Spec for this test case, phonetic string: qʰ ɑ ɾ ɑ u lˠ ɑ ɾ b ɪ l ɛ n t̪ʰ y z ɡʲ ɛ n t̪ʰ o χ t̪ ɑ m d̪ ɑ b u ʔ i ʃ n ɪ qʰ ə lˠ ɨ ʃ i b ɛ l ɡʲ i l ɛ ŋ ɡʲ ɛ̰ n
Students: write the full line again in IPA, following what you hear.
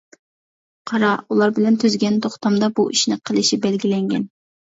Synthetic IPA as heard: qʰ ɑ ɾ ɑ u lˠ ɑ ɾ b ɪ l ɛ n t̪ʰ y z ɡʲ ɛ n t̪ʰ o χ t̪ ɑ m d̪ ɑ b u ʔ i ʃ n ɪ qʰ ə lˠ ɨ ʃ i b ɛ l ɡʲ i l ɛ ŋ ɡʲ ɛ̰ n